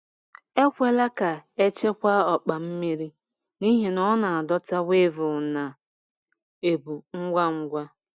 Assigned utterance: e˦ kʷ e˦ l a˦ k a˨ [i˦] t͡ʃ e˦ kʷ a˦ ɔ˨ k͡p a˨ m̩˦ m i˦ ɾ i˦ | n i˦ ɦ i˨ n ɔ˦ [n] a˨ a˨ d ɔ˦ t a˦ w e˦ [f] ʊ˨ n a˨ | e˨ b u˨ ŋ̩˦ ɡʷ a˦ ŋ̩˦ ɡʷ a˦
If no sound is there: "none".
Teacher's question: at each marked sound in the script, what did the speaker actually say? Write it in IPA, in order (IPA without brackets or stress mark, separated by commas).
e˦, n, v